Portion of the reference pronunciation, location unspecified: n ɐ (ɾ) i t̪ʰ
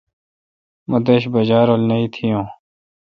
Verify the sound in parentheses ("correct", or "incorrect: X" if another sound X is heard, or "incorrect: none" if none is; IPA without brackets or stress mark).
incorrect: none